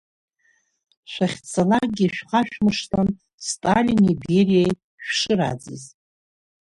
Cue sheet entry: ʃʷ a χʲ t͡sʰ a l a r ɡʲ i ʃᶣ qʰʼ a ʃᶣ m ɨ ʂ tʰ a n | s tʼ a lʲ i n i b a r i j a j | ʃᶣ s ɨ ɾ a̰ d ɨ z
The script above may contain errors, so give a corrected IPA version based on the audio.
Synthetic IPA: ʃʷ a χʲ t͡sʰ a l a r ɡʲ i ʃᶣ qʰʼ a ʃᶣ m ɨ ʂ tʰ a n | s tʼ a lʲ i n i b e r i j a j | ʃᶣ ʂ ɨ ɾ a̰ d͡z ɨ z